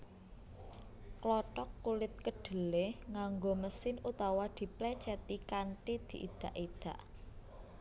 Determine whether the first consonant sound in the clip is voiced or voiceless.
voiceless